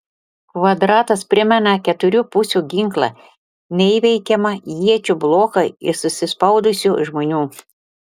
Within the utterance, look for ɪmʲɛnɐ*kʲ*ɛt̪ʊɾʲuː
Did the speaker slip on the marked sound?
no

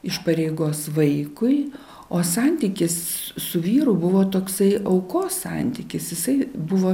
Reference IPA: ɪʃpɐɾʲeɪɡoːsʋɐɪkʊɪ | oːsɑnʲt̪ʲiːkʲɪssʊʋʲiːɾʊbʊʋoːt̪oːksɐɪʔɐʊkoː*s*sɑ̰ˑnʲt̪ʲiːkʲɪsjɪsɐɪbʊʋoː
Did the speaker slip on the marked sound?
no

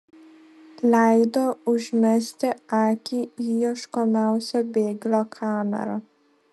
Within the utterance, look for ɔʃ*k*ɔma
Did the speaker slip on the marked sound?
no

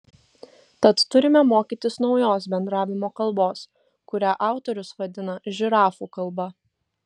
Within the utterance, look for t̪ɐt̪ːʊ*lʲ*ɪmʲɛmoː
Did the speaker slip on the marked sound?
yes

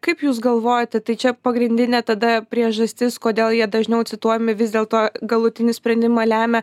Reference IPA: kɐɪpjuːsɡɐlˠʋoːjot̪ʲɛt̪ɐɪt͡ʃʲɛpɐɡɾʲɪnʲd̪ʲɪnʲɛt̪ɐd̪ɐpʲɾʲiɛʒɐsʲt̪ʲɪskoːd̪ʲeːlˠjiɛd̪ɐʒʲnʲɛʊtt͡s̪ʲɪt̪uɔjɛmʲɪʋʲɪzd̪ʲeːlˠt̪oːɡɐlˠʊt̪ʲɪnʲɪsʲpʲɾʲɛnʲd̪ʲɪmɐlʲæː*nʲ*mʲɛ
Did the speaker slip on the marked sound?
yes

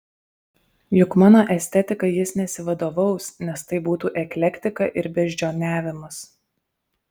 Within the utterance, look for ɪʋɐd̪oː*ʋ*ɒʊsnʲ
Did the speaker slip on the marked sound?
no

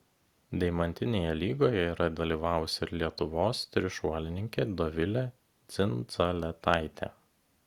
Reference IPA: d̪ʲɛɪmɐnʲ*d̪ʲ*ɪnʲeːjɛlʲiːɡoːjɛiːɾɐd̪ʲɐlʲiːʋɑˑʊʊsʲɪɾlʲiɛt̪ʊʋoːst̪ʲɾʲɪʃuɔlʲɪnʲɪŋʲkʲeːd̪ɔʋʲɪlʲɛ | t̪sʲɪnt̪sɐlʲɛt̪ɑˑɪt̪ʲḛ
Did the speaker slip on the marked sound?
yes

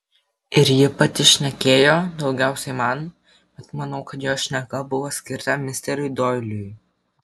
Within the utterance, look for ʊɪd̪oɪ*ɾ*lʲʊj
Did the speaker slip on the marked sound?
yes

